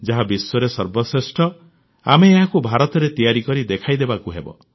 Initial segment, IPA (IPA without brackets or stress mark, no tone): d͡ʒ